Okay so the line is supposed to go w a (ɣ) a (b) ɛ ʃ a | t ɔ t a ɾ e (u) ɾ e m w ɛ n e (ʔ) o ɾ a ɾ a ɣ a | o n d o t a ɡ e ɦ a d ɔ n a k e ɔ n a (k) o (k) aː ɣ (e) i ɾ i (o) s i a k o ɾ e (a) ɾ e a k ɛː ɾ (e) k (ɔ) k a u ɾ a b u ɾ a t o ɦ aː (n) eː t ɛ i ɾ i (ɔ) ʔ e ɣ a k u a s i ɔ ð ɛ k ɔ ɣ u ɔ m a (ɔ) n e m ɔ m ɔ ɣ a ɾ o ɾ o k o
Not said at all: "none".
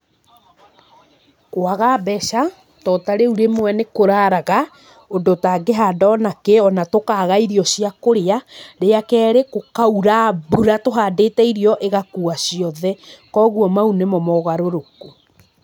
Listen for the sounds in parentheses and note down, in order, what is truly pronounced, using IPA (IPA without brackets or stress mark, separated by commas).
ɣ, b, u, k, t, k, a, ɔ, a, e, o, d, ɔ, u